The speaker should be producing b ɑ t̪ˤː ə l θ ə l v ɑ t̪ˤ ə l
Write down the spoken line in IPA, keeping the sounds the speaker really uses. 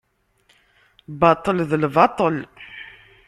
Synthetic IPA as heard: b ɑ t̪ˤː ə l ð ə l v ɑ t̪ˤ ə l